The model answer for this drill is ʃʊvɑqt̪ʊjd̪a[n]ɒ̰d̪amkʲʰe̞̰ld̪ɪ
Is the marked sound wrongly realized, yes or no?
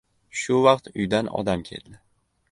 no